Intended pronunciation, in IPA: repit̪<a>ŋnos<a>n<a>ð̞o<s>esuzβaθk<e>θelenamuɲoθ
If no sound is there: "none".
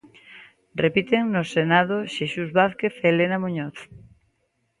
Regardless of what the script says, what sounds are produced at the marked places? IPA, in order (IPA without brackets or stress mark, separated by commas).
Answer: e, e, a, ʃ, e